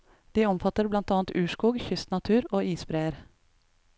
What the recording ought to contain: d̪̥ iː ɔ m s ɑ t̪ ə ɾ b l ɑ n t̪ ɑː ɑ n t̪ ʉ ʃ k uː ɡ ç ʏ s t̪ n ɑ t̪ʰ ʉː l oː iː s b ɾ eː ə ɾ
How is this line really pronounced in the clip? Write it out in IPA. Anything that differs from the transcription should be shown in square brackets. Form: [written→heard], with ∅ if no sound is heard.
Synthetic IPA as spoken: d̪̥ iː ɔ m [s→f] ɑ t̪ ə ɾ b l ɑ n t̪ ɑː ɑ n t̪ [ʉ→ʉː] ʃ k uː ɡ ç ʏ s t̪ n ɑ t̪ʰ ʉː [l→ɾ] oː iː s b ɾ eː ə ɾ